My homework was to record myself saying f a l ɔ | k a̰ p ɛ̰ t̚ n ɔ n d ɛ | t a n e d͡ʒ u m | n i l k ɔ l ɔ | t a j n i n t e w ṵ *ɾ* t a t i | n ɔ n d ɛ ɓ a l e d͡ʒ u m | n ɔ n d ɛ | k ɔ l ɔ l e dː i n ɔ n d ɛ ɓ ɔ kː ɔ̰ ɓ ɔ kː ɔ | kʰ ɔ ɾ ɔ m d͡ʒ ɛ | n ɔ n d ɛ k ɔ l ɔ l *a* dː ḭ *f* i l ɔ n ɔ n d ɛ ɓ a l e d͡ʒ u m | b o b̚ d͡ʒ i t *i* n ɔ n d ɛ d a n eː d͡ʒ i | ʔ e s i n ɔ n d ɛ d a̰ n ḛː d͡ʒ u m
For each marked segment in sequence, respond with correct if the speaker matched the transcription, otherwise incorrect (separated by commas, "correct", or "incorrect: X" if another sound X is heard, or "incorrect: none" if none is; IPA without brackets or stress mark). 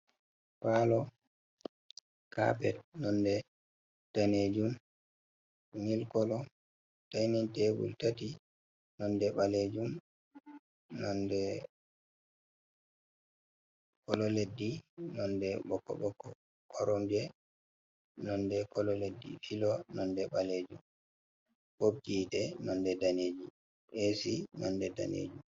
incorrect: l, incorrect: e, correct, incorrect: ɛ